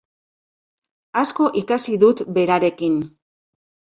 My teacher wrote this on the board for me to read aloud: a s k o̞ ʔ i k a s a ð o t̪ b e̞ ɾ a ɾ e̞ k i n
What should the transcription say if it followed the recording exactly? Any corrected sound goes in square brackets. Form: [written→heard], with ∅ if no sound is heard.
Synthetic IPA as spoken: a s k o̞ ʔ i k a s [a→i] ð [o→u] t̪ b e̞ ɾ a ɾ e̞ k i n